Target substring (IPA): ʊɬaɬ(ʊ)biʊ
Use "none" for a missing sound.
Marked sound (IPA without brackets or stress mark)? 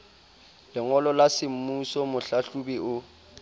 u